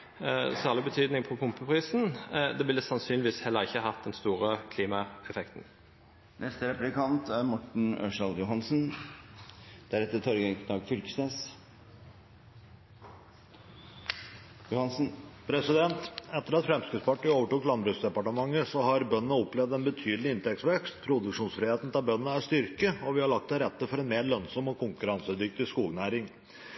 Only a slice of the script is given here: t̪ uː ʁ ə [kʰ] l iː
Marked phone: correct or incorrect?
correct